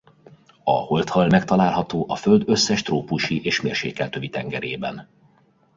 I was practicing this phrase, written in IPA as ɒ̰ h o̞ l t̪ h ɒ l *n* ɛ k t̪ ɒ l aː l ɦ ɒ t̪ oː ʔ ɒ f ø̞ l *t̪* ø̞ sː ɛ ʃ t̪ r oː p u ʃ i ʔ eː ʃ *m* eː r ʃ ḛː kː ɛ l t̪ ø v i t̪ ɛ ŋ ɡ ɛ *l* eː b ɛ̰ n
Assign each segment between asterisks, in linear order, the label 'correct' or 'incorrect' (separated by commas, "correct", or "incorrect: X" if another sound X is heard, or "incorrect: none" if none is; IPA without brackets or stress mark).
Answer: incorrect: m, incorrect: d̪, correct, incorrect: ɾ